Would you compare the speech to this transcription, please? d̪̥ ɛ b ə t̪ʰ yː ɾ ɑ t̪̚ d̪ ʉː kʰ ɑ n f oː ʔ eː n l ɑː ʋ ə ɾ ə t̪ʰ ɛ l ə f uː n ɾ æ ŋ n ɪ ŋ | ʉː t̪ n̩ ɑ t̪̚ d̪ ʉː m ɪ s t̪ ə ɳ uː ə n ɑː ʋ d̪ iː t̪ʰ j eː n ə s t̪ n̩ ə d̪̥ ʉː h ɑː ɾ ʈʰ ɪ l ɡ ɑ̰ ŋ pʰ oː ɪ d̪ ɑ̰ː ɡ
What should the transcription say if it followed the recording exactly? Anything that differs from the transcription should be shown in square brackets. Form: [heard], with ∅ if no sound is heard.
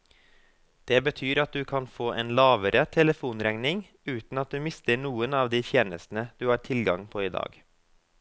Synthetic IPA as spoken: d̪̥ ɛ b ə t̪ʰ yː ɾ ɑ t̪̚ d̪ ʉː kʰ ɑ n f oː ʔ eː n l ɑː ʋ ə ɾ ə t̪ʰ ɛ l ə f uː n ɾ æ ŋ n ɪ ŋ | ʉː t̪ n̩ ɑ t̪̚ d̪ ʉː m ɪ s t̪ ə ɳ uː ə n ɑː ʋ d̪ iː t̪ʰ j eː n ə s t̪ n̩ ə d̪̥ ʉː h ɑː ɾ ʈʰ ɪ l ɡ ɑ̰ ŋ pʰ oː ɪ d̪ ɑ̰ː ɡ